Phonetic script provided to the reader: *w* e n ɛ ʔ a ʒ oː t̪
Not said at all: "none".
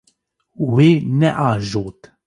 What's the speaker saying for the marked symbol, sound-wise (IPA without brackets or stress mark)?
w